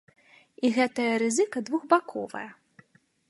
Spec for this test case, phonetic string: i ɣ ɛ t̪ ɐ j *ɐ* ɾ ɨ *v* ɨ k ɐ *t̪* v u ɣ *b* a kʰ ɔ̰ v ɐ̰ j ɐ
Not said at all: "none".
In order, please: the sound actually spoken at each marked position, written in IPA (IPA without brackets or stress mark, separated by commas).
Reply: ɐ, z, d̪, b